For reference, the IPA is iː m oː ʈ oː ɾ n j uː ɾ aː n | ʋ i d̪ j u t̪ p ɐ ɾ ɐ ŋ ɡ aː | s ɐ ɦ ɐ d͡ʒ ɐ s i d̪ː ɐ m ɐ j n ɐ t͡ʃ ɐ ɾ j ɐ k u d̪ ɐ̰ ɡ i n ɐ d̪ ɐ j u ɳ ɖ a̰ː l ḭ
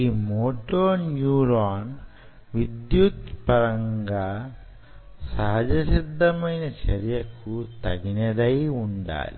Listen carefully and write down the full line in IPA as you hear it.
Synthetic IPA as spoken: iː m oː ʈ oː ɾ n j uː ɾ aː n | ʋ i d̪ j u t̪ p ɐ ɾ ɐ ŋ ɡ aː | s ɐ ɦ ɐ d͡ʒ ɐ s i d̪ː ɐ m ɐ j n ɐ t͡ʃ ɐ ɾ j ɐ k u t̪ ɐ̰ ɡ i n ɐ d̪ ɐ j u ɳ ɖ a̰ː l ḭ